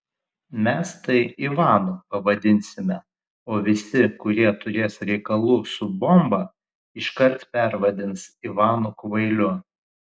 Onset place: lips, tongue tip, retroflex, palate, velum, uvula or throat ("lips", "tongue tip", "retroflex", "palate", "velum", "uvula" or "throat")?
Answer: lips